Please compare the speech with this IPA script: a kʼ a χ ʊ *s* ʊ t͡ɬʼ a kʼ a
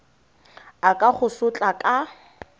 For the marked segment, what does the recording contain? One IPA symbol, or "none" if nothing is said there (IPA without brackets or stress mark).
s